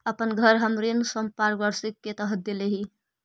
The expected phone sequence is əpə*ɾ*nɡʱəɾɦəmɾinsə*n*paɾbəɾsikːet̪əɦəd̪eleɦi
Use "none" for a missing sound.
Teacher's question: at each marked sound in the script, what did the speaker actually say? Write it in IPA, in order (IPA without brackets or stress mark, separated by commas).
none, m